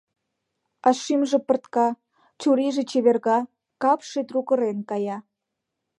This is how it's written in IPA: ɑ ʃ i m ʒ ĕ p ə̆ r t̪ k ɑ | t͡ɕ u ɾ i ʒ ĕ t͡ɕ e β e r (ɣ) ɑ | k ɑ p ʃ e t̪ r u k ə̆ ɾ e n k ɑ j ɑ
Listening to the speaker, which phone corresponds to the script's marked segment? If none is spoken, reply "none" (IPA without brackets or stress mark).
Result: ɣ